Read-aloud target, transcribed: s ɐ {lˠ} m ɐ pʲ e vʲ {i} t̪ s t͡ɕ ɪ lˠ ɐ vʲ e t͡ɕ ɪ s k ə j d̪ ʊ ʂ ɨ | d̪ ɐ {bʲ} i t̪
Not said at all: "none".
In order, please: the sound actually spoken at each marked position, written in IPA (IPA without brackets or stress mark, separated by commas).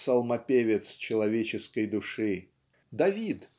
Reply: lˠ, ɪ, vʲ